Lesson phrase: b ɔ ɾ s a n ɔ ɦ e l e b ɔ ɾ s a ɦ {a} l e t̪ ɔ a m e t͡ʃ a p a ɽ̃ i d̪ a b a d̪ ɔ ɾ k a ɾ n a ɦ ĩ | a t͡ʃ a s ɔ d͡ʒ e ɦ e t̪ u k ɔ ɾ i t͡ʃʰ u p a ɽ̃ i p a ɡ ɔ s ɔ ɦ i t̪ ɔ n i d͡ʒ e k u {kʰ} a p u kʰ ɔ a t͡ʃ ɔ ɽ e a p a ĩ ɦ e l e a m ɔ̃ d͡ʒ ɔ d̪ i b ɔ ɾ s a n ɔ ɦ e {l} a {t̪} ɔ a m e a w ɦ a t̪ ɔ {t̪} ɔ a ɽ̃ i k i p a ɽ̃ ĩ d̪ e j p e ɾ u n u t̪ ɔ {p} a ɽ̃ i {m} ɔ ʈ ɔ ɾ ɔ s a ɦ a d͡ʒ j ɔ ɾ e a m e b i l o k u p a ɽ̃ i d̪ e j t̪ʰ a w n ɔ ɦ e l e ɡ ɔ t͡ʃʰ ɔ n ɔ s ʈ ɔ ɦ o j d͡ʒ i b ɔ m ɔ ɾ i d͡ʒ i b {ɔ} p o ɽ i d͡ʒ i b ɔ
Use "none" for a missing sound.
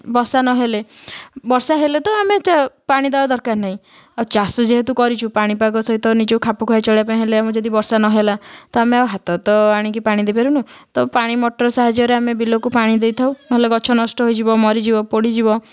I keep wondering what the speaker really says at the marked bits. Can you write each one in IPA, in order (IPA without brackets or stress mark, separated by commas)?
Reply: e, kʰ, l, t̪, t̪, p, m, ɔ